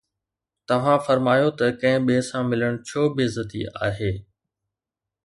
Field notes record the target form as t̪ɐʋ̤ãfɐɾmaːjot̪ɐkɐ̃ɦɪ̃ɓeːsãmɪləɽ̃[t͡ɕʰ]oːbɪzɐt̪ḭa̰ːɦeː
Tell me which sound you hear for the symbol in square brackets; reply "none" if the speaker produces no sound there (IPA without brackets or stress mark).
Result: t͡ɕʰ